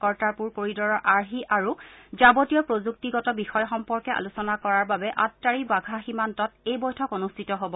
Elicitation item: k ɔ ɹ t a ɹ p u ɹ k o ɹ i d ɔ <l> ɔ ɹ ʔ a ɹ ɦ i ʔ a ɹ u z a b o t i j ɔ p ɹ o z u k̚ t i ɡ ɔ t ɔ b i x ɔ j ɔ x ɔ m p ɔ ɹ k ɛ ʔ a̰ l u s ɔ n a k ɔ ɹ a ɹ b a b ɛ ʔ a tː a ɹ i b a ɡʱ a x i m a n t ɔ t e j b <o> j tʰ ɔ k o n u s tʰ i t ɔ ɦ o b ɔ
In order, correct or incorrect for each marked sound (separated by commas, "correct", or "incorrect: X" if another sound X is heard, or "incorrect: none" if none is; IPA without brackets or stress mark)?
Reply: incorrect: ɹ, incorrect: ɔ